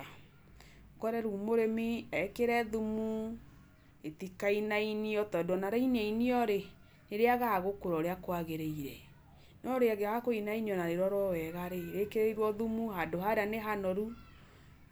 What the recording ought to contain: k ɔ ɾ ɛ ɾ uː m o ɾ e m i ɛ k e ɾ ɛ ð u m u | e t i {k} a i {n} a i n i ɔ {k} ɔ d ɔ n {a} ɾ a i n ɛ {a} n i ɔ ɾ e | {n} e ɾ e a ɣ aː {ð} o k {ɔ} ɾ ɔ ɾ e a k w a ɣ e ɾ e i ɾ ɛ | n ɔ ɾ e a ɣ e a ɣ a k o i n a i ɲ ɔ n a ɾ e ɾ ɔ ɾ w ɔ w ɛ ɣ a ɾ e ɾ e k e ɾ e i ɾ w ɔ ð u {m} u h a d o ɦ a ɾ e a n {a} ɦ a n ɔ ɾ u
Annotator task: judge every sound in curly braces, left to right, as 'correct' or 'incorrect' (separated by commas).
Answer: correct, correct, incorrect, correct, incorrect, correct, incorrect, incorrect, correct, incorrect